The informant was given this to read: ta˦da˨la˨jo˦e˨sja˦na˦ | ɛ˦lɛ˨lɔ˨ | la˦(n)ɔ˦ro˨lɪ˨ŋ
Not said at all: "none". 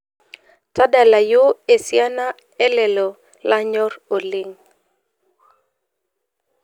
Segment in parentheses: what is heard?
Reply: ɲ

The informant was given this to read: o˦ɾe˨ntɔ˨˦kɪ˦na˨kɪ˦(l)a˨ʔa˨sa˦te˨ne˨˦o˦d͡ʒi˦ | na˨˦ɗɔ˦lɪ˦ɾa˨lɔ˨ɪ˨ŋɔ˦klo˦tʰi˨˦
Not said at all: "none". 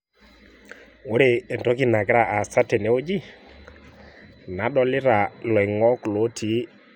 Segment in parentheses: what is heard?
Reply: ɾ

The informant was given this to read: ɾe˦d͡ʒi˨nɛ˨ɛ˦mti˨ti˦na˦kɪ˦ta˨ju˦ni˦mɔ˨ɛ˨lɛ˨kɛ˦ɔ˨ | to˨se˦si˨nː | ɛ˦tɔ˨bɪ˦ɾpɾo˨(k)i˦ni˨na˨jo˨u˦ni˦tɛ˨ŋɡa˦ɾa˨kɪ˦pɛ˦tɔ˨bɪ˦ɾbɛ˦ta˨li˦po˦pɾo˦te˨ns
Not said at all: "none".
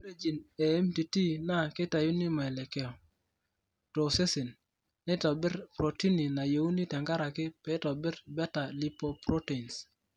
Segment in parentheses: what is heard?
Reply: t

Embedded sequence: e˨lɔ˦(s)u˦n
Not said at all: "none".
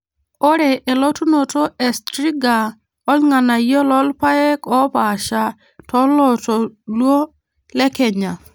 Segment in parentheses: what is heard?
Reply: t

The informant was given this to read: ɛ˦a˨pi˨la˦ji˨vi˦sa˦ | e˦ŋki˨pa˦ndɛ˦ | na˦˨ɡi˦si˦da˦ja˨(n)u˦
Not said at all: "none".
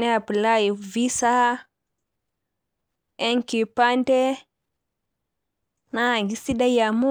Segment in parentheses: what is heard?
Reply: m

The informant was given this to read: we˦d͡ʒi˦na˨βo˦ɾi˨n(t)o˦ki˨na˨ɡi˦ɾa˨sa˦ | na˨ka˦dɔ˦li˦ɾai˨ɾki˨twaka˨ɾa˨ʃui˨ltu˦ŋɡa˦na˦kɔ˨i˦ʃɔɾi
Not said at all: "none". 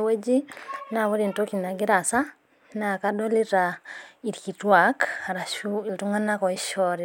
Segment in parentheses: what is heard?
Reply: t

